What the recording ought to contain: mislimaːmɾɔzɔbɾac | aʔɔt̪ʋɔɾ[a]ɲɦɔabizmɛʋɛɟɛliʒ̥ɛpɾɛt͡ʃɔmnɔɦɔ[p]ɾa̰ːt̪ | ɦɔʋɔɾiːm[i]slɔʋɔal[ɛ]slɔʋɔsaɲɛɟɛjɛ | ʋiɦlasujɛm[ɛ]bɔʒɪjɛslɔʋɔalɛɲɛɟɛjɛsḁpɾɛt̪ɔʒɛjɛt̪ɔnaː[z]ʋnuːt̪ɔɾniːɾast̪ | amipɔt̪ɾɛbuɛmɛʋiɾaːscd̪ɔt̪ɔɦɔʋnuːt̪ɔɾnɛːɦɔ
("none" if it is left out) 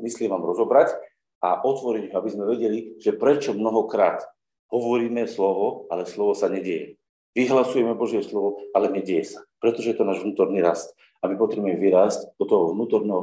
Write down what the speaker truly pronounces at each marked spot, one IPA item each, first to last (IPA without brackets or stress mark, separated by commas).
i, k, ɛ, ɛ, ɛ, ʒ